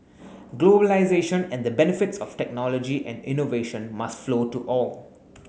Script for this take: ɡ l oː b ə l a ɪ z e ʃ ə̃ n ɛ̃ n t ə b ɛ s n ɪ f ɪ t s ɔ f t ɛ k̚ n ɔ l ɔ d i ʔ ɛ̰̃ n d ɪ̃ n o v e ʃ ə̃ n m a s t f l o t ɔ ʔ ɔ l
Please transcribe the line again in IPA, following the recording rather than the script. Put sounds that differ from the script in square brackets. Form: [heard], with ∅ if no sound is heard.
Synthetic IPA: ɡ l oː b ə l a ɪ z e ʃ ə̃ n ɛ̃ n [d] ə b ɛ [∅] n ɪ f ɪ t s ɔ f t ɛ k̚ n ɔ l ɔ [d͡ʒ] i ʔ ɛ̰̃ n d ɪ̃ n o v e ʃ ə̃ n m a s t f l o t [u] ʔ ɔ l